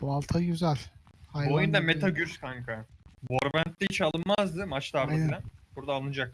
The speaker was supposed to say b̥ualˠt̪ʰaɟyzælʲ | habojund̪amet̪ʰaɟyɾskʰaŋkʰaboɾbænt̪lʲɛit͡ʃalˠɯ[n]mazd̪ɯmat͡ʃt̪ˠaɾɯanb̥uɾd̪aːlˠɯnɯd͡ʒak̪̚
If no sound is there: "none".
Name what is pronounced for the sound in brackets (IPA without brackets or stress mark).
n